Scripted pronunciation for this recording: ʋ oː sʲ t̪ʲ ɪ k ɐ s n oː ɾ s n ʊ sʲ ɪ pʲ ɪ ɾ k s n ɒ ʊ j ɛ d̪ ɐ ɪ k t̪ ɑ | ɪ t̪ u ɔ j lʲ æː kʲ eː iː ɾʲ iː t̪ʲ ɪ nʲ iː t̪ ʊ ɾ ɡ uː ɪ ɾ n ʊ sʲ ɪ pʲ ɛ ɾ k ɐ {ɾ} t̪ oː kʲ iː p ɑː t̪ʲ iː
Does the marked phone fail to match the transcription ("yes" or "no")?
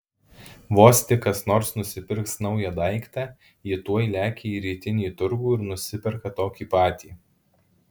yes